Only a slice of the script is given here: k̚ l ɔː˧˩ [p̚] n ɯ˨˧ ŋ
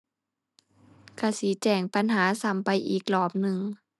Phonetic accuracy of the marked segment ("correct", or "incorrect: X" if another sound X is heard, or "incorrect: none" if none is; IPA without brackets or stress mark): correct